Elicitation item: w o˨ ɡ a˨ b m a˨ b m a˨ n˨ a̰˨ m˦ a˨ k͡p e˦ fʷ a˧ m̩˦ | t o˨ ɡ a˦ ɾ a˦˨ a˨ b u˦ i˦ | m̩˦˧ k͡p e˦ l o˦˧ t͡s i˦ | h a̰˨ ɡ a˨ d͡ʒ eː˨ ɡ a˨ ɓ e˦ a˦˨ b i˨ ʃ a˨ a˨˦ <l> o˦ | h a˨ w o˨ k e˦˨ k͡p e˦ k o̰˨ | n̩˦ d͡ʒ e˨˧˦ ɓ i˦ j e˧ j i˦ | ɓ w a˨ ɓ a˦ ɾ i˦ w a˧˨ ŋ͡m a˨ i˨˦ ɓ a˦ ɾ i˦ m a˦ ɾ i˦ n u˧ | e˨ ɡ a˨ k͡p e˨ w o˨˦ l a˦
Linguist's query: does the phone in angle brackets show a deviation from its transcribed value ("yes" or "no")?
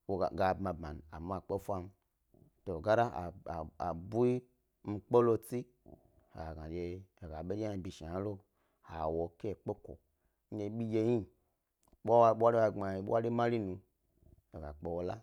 no